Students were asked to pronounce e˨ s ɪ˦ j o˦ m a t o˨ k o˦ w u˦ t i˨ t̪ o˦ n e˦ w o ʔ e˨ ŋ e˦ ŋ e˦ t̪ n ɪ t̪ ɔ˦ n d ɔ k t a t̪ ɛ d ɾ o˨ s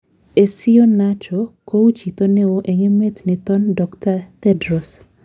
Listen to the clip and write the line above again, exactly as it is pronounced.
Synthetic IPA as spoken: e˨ s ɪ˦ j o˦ n a t͡ʃ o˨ k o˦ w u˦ t͡ʃ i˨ t̪ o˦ n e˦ w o ʔ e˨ ŋ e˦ m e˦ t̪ n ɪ t̪ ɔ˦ n d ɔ k t a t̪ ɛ d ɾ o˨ s